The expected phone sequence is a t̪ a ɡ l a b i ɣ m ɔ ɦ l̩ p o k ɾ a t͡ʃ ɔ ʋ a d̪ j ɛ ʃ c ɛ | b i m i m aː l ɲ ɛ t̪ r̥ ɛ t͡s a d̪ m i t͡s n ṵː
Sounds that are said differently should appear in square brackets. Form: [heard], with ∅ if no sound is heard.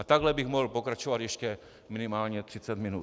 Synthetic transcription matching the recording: a t̪ a ɡ l [ɛ] b i ɣ m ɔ ɦ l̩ p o k ɾ a t͡ʃ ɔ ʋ a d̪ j ɛ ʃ c ɛ | [m] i [n] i m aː l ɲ ɛ t̪ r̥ [i] t͡s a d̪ m i [∅] n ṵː